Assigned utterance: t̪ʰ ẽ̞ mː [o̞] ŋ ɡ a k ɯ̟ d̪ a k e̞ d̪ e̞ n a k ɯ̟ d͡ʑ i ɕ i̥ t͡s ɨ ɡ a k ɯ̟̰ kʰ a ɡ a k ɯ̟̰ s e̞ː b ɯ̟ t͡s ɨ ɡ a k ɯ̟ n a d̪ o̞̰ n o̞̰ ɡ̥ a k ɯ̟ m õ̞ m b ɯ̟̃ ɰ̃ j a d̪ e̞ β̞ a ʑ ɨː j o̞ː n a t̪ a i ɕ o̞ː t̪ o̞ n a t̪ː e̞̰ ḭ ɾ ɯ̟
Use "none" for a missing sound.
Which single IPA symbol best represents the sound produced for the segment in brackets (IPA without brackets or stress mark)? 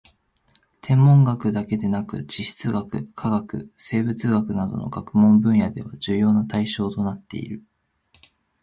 õ̞